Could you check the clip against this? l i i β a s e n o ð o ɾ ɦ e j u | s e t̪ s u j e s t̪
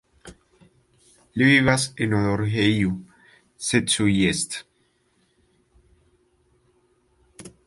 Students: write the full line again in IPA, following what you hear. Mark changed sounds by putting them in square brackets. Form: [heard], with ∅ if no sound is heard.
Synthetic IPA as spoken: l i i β a s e n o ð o ɾ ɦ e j u | s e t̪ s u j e s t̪